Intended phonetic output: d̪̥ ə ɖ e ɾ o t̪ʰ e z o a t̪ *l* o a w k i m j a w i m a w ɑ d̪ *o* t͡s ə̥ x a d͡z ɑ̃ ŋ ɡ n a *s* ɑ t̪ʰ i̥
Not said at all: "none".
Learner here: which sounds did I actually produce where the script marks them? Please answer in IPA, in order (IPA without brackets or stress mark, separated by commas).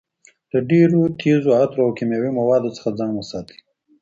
ɾ, o, s